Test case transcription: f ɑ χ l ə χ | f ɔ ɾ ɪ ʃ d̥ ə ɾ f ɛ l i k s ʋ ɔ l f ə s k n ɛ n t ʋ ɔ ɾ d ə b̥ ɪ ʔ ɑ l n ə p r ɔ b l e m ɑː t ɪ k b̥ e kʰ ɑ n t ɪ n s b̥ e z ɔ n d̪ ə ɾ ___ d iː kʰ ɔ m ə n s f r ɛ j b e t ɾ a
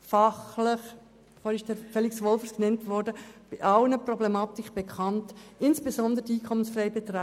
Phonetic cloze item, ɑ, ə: ə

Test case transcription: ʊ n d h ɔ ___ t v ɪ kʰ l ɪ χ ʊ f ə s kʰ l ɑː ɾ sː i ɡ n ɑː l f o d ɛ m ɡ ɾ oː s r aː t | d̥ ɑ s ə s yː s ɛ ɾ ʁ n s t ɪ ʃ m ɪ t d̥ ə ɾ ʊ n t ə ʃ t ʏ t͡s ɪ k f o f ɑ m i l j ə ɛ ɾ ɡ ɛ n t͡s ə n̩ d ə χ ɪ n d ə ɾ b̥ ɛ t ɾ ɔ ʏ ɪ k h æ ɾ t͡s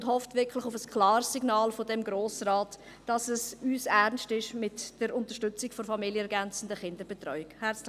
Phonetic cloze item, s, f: f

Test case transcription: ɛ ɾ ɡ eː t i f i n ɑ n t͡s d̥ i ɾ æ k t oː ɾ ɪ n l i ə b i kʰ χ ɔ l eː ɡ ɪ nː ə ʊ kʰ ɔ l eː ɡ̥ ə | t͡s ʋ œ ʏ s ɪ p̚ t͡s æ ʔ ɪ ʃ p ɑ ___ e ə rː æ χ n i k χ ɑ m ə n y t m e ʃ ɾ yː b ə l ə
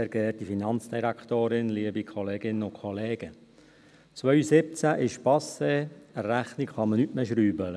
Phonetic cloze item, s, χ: s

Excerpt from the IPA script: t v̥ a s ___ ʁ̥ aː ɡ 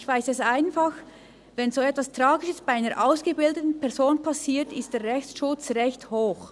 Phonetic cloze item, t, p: t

